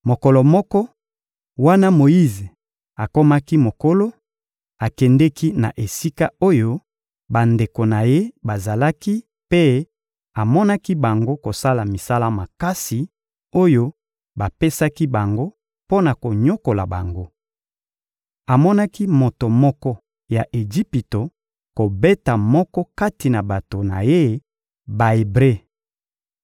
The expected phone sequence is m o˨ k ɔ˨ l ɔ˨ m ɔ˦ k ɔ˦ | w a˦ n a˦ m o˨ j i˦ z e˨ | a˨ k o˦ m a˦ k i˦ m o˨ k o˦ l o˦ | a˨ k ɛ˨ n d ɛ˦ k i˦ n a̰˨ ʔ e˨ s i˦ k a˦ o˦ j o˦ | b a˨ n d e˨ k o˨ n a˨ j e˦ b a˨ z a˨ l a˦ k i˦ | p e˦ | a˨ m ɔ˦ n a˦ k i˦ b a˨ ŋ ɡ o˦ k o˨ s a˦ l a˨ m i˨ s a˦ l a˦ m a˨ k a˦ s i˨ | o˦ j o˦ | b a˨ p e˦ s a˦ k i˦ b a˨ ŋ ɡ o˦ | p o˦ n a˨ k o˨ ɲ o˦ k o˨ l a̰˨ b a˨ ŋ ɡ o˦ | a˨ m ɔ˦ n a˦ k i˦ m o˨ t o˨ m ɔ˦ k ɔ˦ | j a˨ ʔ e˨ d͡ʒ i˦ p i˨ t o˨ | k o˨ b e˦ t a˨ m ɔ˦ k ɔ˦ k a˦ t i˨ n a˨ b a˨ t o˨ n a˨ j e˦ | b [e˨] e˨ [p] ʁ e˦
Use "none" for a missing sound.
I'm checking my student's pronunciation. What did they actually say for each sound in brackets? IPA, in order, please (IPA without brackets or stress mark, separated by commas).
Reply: a˨, b